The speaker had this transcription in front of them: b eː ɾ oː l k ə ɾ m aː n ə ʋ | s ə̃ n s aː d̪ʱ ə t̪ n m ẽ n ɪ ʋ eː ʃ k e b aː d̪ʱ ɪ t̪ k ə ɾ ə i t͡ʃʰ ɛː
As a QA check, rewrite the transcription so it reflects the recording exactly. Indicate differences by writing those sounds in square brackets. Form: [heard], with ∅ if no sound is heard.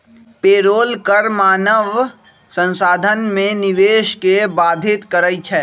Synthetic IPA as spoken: [p] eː ɾ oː l k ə ɾ m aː n ə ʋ | s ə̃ n s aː d̪ʱ ə [∅] n m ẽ n ɪ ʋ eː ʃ k e b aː d̪ʱ ɪ t̪ k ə ɾ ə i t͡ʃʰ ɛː